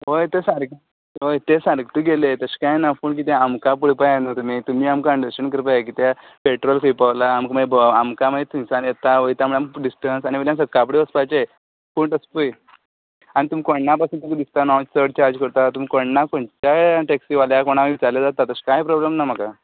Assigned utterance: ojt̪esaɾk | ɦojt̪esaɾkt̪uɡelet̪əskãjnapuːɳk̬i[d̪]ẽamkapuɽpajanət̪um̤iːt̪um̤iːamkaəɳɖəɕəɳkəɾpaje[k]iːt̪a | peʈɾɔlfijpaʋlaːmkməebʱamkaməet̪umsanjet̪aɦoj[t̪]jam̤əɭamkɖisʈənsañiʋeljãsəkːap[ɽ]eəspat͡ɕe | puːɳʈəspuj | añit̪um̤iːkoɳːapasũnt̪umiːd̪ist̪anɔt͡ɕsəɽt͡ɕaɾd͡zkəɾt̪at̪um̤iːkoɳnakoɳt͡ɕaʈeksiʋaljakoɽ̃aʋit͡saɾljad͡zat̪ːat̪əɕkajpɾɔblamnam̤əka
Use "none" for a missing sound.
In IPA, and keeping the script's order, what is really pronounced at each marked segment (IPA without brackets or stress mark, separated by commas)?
t̪, k, t̪, ɽ